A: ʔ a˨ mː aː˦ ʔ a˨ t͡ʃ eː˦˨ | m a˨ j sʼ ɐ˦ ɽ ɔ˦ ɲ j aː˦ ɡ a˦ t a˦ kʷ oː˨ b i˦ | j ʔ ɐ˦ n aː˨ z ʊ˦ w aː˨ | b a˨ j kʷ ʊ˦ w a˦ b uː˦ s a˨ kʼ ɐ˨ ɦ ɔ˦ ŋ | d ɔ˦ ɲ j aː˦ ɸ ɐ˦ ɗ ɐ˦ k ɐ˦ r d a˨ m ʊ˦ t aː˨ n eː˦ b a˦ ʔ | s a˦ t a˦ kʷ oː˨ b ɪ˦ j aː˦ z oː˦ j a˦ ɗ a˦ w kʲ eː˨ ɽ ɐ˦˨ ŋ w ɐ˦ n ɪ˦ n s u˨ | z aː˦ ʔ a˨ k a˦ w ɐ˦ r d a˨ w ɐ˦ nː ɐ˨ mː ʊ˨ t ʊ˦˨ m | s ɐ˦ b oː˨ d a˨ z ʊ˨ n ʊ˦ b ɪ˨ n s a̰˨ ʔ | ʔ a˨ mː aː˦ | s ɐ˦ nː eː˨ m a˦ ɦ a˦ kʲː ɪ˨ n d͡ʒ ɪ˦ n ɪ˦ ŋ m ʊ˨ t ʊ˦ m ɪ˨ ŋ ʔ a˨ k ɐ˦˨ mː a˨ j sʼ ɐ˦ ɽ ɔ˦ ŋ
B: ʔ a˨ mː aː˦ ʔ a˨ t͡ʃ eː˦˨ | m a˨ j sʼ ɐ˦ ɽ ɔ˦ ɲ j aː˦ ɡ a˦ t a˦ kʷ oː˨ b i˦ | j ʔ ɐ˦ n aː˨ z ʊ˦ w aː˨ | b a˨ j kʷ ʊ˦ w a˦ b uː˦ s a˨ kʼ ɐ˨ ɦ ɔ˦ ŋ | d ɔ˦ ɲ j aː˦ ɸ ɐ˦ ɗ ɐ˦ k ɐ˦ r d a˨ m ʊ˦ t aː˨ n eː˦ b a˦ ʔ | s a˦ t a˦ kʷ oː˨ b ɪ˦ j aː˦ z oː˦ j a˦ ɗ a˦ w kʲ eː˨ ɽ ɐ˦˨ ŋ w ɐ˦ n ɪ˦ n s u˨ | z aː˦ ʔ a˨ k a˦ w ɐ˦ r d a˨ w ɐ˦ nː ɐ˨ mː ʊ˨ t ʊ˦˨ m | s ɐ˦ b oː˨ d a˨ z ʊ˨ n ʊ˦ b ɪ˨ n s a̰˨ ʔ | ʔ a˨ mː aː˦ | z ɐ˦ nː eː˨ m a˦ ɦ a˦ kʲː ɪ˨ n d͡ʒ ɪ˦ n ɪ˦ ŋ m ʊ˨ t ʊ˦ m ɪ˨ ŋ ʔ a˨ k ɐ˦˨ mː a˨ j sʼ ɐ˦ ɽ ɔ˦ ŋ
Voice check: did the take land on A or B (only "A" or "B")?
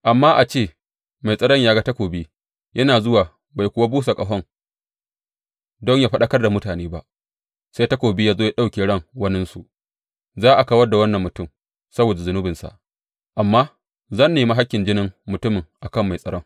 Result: B